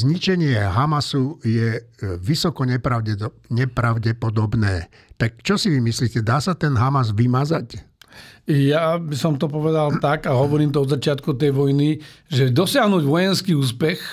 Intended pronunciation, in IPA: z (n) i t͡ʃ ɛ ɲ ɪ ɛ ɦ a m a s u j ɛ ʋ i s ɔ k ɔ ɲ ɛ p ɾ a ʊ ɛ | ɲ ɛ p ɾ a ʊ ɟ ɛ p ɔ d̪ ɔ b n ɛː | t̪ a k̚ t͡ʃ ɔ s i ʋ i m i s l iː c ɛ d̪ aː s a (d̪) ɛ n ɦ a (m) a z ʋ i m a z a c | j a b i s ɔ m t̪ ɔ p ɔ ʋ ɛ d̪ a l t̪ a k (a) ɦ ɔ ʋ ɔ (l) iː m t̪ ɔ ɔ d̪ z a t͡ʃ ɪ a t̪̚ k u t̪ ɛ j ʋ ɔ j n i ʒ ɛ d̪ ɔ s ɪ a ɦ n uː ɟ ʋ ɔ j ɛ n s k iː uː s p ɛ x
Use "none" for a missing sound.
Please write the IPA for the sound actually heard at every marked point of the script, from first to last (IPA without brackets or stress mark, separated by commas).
ɲ, t̪, m, a, ɾ